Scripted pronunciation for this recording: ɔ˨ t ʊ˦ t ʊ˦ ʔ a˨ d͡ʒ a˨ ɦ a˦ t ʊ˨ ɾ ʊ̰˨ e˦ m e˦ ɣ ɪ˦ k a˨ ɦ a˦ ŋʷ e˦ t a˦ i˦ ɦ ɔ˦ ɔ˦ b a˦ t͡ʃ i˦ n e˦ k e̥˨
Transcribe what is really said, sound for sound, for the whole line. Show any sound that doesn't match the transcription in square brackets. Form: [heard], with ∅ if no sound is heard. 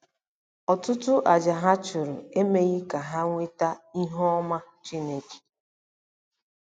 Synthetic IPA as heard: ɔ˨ t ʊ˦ t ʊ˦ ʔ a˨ d͡ʒ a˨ ɦ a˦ [t͡ʃ] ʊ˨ ɾ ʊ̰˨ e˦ m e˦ ɣ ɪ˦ k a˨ ɦ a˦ ŋʷ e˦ t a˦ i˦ ɦ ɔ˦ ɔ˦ [m] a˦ t͡ʃ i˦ n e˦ k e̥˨